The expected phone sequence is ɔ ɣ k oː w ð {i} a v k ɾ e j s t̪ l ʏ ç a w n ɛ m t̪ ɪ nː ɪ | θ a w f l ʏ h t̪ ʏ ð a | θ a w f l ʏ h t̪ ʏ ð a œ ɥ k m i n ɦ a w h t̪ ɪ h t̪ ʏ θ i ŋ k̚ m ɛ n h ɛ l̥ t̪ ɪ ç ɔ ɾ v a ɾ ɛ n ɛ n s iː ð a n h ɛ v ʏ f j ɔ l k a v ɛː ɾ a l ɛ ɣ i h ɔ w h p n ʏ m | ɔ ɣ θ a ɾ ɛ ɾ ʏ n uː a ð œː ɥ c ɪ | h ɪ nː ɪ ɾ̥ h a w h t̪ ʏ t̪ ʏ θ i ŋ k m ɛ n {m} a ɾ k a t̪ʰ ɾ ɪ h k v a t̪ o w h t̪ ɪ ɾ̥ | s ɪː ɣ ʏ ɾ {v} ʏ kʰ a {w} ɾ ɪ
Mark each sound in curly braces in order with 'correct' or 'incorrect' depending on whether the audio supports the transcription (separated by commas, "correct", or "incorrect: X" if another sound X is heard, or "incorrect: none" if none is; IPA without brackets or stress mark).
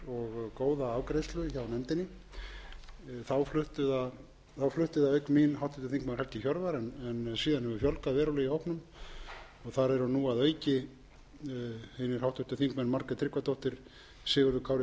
incorrect: a, correct, incorrect: ð, correct